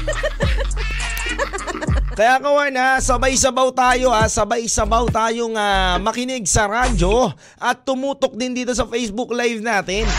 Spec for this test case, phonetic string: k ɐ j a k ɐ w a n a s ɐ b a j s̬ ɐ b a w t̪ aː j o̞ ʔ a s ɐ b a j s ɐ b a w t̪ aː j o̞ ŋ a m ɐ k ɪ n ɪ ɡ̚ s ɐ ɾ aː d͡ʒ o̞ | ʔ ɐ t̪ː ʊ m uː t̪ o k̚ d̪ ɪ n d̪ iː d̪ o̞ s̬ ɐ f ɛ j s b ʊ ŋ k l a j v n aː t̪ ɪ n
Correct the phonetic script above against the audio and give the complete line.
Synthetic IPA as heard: k ɐ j a k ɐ w a n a s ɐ b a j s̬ ɐ b a w t̪ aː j o̞ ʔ a s ɐ b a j s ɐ b a w t̪ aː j o̞ ŋ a m ɐ k ɪ n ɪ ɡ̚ s ɐ ɾ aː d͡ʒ o̞ | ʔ ɐ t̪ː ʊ m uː t̪ o k̚ d̪ ɪ n d̪ iː t̪ o̞ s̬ ɐ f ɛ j s b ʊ k l a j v n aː t̪ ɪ n